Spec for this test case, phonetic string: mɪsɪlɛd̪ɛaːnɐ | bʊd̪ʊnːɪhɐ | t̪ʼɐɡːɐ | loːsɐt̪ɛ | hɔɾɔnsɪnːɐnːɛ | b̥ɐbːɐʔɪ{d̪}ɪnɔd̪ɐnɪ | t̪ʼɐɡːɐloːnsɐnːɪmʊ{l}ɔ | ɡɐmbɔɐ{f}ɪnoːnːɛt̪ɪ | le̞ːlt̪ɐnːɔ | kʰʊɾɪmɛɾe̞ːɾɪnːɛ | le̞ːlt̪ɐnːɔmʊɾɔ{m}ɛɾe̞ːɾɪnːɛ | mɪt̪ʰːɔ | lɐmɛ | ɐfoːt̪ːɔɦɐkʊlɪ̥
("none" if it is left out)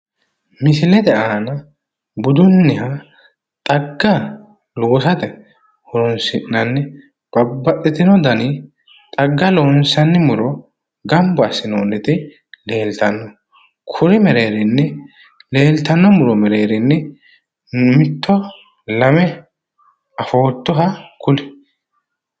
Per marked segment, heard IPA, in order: t̪, ɾ, s, m

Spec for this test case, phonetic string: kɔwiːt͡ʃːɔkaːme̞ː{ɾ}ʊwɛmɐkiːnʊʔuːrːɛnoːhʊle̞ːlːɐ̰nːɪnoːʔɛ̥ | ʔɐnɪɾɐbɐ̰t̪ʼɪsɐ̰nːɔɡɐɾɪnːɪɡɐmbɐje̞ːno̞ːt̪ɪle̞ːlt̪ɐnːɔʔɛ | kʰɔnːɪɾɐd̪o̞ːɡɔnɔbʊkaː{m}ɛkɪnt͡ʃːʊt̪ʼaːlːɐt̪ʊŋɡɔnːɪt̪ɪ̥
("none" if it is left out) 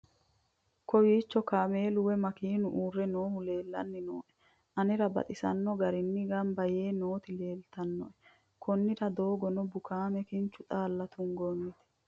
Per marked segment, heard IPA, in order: l, m

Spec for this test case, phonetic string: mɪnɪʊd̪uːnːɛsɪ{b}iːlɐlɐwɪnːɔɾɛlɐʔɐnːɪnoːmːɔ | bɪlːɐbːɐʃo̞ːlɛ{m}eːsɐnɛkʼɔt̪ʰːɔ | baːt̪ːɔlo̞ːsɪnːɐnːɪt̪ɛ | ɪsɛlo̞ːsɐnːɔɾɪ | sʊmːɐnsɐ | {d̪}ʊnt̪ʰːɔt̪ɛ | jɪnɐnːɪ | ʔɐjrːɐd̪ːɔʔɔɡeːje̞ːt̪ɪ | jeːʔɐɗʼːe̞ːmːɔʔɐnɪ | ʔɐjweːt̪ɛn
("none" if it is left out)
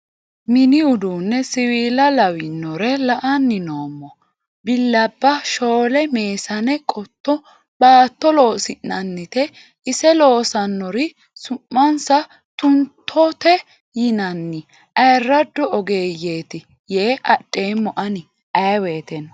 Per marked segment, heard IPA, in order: w, m, t̪

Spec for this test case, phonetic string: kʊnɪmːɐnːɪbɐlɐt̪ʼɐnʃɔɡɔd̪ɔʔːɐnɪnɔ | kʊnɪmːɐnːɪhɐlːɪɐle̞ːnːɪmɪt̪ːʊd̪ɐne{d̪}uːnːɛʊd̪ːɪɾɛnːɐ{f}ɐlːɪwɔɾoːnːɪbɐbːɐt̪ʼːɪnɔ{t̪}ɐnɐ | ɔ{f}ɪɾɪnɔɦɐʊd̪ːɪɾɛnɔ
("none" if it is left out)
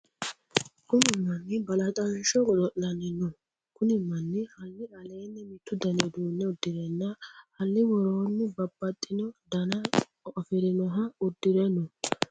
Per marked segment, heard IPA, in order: d̪, h, d̪, f

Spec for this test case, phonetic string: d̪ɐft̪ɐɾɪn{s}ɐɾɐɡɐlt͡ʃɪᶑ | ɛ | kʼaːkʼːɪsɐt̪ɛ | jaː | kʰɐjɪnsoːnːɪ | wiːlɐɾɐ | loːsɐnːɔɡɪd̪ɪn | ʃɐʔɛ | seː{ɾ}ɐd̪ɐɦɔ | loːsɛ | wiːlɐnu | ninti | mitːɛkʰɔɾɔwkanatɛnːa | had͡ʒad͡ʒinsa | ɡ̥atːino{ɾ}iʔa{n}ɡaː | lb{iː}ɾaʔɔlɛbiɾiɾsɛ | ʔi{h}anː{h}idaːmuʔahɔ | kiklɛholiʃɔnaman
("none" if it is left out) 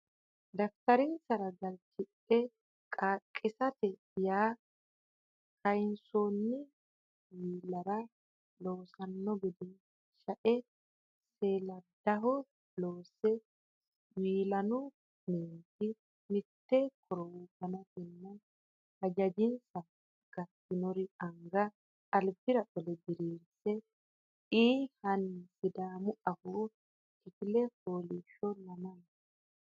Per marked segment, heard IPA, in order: s, l, ɾ, ŋ, i, h, s

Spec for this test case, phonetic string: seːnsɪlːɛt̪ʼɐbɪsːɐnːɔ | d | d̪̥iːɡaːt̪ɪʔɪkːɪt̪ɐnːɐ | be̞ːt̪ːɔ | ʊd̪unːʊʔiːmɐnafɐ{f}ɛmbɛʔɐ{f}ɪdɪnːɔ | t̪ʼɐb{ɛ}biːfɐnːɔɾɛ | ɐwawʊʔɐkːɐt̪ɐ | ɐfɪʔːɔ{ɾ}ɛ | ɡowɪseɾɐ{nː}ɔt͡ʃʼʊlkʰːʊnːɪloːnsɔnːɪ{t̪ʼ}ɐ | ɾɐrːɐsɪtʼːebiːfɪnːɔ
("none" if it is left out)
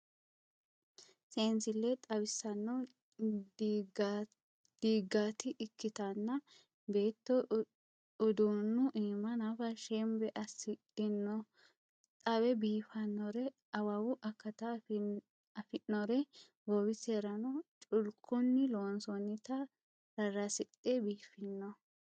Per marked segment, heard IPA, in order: ʃ, s, ɛ, ɾ, n, t̪

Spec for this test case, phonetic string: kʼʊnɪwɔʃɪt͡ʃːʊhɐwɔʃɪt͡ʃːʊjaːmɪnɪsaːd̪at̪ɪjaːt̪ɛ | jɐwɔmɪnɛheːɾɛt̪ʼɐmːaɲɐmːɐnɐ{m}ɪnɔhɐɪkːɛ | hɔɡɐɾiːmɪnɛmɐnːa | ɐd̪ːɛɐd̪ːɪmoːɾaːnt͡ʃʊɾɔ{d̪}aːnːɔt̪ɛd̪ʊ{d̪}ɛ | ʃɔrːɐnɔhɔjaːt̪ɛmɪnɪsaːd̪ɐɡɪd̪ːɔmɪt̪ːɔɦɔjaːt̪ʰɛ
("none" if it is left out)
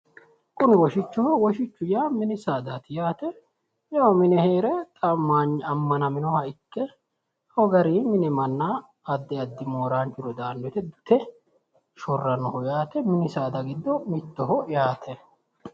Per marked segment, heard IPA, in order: m, d̪, t̪

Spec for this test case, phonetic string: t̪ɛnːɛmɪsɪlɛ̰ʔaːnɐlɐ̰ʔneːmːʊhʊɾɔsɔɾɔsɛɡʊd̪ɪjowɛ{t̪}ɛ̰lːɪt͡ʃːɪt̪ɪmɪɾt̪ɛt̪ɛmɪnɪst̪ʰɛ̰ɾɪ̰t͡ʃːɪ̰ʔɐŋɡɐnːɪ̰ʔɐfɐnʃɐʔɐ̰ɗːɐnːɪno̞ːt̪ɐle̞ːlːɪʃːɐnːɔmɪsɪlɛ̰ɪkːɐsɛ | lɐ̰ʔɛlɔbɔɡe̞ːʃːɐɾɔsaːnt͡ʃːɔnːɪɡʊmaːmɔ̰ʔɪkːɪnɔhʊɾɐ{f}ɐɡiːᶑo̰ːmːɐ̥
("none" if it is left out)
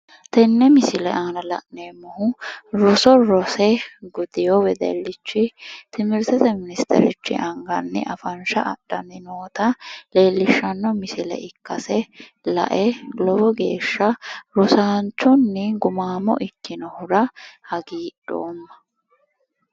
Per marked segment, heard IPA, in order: d̪, h

